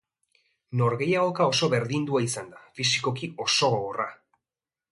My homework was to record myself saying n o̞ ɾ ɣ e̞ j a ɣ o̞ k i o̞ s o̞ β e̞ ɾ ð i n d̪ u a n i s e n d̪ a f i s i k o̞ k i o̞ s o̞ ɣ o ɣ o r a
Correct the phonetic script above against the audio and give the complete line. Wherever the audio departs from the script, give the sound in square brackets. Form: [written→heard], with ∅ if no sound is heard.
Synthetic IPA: n o̞ ɾ ɣ e̞ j a ɣ o̞ k [i→a] o̞ s o̞ β e̞ ɾ ð i n d̪ u a [n→∅] i s [e→a] n d̪ a f i s i k o̞ k i o̞ s o̞ ɣ o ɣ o r a